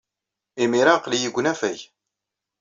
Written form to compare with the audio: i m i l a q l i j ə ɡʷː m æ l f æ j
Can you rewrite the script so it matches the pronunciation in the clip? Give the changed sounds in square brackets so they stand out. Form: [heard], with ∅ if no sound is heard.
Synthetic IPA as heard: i m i [ɾ] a q l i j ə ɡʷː [n] æ [∅] f æ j

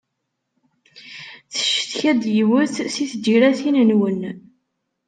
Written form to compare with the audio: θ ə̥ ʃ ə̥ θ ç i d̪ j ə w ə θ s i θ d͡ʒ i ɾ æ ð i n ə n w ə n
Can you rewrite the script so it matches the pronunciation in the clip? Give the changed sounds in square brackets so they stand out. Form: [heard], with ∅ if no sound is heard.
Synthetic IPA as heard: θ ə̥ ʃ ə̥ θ ç [æ] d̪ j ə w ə θ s i θ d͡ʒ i ɾ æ [θ] i n ə n w ə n

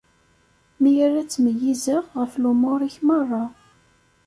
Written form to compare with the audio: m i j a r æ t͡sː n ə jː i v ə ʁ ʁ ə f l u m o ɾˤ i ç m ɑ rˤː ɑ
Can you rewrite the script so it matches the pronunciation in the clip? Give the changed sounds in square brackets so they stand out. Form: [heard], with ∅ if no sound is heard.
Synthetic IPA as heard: m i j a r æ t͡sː [m] ə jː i [z] ə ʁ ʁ ə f l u m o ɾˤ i ç m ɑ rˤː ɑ

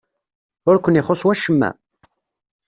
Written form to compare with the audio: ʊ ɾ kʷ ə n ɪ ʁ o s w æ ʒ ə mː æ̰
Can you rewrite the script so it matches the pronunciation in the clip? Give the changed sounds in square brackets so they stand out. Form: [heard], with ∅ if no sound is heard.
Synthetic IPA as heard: ʊ ɾ kʷ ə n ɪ [χ] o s w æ [ʃ] ə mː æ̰

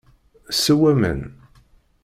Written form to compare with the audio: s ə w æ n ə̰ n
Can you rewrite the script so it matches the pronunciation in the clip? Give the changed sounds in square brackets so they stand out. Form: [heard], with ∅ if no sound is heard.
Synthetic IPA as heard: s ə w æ [m] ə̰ n

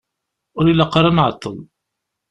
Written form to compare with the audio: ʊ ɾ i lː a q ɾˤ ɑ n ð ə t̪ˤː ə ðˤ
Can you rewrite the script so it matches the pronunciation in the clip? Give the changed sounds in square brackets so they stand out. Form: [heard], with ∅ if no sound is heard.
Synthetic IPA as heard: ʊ ɾ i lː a q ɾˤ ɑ n [ʕ] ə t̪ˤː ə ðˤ

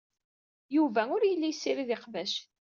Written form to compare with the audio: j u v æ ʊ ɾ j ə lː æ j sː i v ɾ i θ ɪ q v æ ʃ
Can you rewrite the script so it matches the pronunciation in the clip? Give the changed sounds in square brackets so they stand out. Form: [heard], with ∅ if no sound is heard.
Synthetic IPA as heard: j u v æ ʊ ɾ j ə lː [i] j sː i [∅] ɾ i [ð] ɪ q v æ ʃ

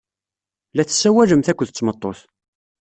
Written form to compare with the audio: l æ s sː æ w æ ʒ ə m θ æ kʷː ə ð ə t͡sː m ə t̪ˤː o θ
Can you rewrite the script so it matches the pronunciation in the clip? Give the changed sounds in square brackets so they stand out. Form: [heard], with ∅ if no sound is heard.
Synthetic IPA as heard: l æ [θ] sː æ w æ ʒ ə m θ æ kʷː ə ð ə t͡sː m ə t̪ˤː o θ

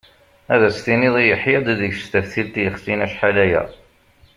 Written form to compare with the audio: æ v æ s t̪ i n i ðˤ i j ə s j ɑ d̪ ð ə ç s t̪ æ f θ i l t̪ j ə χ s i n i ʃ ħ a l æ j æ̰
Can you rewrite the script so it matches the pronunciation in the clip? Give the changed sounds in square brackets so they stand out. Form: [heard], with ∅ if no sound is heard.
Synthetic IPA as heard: æ [ð] æ s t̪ i n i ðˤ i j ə [ħ] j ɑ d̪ ð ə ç s t̪ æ f θ i l t̪ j ə χ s i n [æ] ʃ ħ a l æ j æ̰

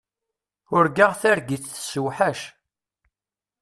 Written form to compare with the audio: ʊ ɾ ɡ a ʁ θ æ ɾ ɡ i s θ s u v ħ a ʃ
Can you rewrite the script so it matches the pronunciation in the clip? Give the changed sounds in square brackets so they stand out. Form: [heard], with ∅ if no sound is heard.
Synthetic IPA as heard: ʊ ɾ ɡ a ʁ θ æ ɾ ɡ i [θ] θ s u [w] ħ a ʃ

